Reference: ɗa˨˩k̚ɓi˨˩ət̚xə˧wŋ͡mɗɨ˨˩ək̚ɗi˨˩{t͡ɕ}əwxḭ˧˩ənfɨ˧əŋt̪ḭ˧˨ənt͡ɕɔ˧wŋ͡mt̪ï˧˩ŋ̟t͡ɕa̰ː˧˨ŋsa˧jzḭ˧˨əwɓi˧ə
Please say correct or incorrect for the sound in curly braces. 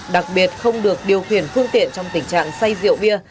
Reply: incorrect